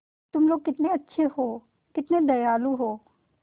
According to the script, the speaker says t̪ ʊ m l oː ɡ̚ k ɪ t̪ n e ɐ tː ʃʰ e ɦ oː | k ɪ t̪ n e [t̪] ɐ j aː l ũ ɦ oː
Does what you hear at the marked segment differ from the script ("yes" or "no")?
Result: yes